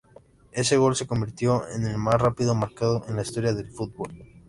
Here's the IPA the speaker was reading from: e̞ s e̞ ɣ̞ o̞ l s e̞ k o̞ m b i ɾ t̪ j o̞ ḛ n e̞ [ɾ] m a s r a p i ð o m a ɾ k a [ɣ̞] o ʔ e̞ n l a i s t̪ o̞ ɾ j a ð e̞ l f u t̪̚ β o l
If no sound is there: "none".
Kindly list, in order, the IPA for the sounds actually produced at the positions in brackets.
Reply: l, ð̞

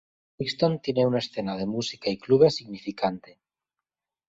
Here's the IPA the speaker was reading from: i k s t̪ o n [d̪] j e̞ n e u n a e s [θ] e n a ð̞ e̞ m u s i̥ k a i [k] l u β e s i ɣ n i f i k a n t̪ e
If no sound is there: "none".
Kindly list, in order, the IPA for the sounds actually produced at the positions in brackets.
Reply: t̪, θ, k

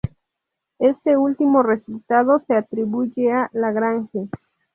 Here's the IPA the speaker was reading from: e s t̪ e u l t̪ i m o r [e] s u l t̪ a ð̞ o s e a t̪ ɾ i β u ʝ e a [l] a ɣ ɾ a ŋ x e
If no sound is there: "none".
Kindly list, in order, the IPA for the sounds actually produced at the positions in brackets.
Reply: e, l

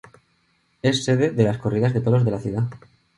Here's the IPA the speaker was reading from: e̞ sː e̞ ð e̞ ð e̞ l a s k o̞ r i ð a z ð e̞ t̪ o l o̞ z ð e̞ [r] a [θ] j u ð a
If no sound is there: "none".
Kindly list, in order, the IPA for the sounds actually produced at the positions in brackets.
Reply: l, θ

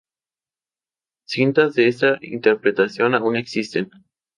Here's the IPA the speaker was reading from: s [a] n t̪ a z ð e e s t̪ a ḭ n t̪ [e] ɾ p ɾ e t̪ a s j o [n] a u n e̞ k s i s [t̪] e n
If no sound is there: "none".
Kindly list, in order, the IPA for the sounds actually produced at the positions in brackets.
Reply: i, e, n, t̪

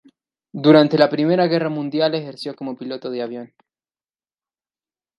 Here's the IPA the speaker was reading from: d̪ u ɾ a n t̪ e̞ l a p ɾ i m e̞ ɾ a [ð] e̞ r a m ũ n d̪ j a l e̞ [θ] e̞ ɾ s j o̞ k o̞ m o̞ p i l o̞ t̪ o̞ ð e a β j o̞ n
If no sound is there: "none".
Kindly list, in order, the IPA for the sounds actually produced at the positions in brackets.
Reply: ɣ, x

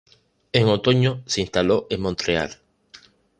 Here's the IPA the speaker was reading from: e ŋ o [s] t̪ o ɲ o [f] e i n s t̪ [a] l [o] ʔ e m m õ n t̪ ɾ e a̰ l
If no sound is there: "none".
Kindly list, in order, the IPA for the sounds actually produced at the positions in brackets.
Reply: none, s, a, o

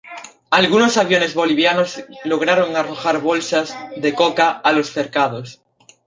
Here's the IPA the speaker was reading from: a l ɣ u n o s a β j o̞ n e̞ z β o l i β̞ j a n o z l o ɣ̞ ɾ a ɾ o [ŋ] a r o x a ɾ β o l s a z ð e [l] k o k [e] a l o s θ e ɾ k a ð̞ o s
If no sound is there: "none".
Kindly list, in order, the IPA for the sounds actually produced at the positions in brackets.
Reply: ŋ, none, a

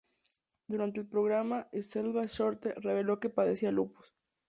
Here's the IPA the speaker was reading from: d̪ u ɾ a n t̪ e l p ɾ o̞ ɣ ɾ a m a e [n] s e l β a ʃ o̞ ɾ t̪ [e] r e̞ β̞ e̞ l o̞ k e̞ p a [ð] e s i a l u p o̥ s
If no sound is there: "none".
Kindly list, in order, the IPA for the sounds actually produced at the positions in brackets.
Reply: none, e, ð

